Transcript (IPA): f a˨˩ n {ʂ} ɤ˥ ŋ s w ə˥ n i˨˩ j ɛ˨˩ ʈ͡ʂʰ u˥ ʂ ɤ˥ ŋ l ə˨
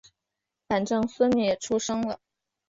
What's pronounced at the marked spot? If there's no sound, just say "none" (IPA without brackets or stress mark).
ʈ͡ʂ